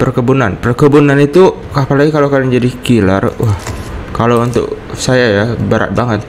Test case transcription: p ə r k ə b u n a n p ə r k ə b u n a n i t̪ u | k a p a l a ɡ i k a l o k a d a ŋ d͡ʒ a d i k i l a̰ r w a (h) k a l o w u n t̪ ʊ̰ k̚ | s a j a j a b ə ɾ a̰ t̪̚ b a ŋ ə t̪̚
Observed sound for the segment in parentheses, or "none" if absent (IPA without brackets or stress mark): h